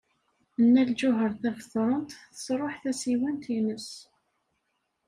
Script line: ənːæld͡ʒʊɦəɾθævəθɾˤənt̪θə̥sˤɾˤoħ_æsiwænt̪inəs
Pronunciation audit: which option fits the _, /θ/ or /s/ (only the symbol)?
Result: θ